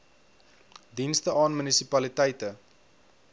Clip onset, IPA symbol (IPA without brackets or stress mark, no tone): d